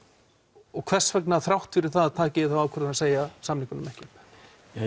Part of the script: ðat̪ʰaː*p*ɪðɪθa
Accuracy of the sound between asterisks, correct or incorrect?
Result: incorrect